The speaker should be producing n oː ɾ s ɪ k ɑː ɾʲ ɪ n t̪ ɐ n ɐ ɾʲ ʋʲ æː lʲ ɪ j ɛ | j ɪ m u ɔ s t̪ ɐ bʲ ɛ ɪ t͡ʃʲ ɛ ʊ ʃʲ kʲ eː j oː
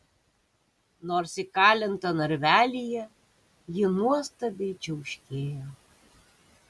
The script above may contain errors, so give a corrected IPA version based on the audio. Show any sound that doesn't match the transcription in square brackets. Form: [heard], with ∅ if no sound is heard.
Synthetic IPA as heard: n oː ɾ s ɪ k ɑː [lʲ] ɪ n t̪ ɐ n ɐ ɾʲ ʋʲ æː lʲ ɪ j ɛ | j ɪ [n] u ɔ s t̪ ɐ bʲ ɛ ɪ t͡ʃʲ ɛ ʊ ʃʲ kʲ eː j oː